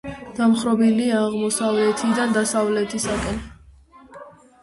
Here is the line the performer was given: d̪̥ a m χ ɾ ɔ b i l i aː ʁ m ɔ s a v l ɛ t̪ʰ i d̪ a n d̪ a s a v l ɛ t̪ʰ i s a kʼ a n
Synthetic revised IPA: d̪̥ a m χ ɾ ɔ b i l i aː ʁ m ɔ s a v l ɛ t̪ʰ i d̪ a n d̪ a s a v l ɛ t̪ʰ i s a kʼ ɛ n